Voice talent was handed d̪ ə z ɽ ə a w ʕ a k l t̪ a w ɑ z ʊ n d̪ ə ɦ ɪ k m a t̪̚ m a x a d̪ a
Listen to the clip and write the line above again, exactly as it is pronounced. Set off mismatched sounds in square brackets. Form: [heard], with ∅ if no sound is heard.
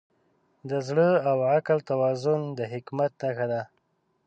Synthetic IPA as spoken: d̪ ə z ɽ ə a w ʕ a k l t̪ a w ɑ z ʊ n d̪ ə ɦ ɪ k m a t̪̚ [n] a x a d̪ a